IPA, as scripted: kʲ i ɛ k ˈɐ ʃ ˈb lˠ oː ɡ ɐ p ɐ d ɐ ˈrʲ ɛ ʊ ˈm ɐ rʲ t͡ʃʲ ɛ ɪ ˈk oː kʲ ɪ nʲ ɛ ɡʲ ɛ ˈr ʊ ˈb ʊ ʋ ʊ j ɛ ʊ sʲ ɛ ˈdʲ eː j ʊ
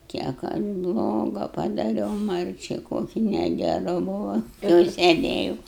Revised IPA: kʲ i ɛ k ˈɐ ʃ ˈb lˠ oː ɡ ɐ p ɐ d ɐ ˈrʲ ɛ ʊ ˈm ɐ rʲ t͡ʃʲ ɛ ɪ ˈk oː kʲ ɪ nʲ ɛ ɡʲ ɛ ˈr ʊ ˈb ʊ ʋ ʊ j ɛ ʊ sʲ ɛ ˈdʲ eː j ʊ